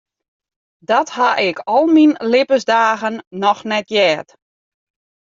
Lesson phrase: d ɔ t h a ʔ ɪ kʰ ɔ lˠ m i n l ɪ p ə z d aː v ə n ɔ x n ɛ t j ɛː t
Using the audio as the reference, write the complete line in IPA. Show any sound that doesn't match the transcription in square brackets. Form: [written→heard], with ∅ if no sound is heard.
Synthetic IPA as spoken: d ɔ t h a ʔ ɪ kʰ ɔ lˠ m i n l ɪ p ə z d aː [v→ɣ] ə [n→nː] ɔ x n ɛ t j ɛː t